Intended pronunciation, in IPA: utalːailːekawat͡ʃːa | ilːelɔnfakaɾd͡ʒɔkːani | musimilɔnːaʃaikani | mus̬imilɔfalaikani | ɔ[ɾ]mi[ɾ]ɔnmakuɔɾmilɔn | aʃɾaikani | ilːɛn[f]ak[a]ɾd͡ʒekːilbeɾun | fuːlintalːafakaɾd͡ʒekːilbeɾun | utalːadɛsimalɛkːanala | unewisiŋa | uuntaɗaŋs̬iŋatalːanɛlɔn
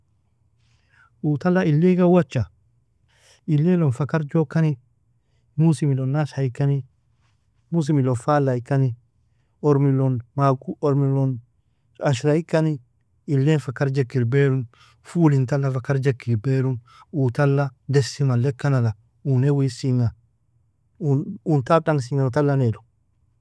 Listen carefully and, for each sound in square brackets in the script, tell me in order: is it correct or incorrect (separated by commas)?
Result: correct, incorrect, correct, correct